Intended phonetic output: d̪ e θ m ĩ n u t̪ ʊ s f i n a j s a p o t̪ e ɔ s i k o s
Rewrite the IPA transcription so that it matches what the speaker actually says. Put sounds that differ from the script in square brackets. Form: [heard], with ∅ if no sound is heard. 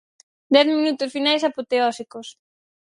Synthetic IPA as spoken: d̪ [ɛ] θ m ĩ n u t̪ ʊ s f i n a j s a p o t̪ e ɔ s i k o s